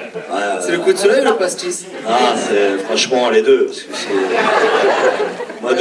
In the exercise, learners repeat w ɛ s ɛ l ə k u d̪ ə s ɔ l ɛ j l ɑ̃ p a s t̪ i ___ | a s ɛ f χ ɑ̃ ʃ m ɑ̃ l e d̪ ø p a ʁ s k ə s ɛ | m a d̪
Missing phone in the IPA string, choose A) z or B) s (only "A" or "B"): B